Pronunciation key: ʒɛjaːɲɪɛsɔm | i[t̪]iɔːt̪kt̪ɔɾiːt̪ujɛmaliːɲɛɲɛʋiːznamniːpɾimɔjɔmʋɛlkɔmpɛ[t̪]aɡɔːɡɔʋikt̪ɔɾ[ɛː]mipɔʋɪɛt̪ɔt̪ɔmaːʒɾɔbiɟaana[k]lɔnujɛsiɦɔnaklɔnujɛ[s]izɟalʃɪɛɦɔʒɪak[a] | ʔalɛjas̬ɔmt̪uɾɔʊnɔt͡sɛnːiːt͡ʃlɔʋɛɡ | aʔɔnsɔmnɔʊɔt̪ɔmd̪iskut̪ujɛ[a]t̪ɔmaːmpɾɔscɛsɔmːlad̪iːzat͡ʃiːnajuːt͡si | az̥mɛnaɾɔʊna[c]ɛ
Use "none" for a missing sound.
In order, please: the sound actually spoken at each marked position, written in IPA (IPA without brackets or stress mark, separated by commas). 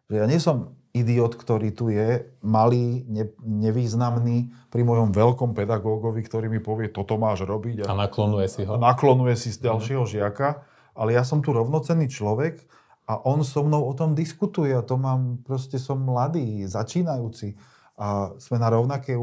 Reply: d̪, d̪, iː, k, s, a, a, k